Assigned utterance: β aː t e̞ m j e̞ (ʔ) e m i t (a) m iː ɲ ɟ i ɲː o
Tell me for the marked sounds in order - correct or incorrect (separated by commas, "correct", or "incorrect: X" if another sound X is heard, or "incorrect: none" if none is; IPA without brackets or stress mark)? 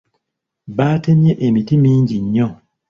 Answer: correct, incorrect: i